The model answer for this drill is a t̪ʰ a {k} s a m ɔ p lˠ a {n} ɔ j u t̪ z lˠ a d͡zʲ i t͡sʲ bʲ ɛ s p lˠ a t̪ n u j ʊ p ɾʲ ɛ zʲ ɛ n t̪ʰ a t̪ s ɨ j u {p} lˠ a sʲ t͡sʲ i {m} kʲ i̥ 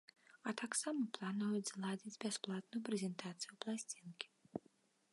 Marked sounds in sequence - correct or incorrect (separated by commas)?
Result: correct, correct, correct, incorrect